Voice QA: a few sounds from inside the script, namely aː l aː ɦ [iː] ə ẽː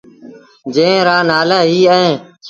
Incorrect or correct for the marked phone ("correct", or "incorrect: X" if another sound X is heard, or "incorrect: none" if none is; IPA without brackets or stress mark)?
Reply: correct